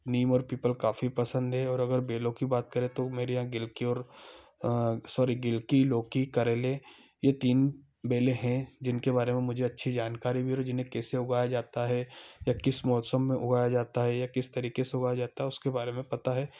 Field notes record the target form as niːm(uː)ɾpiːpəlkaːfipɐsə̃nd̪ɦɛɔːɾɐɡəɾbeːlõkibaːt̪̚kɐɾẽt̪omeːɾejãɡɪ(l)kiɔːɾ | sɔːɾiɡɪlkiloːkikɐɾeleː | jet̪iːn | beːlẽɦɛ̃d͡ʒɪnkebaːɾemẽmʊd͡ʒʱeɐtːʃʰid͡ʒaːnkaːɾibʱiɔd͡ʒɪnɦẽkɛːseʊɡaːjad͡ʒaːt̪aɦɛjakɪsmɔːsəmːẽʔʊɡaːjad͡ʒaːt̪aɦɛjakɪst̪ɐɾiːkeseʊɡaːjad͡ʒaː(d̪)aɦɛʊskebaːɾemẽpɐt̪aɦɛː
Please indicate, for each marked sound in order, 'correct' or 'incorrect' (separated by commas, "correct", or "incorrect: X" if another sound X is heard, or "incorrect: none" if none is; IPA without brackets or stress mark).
incorrect: ɔː, correct, incorrect: t̪